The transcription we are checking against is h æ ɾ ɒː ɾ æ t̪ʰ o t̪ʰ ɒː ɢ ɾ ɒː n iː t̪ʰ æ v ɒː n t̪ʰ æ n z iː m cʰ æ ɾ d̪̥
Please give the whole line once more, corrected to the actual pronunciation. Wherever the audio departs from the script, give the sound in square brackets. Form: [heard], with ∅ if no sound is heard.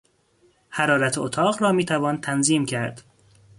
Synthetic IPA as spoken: h æ ɾ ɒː ɾ æ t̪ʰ o t̪ʰ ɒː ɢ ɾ ɒː [m] iː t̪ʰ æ v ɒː n t̪ʰ æ n z iː m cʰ æ ɾ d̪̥